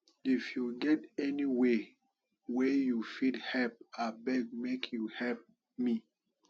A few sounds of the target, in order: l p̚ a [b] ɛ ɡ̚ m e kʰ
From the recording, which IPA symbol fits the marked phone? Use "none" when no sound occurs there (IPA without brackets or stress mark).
b